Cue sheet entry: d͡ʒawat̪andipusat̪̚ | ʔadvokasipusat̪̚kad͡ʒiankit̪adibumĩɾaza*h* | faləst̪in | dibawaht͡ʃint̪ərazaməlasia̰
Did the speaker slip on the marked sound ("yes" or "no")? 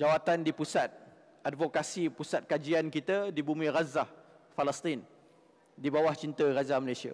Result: no